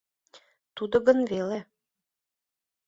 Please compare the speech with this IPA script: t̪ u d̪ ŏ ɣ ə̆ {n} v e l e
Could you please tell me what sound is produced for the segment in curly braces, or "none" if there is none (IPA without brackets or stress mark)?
n